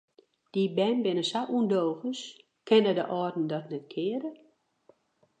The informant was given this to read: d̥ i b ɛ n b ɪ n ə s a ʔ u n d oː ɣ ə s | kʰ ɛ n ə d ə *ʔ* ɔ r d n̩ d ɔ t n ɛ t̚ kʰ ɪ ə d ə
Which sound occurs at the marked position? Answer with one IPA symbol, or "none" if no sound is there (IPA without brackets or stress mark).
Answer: ʔ